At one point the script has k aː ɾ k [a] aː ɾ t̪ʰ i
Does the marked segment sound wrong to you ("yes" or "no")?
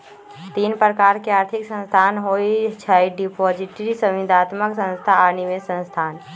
yes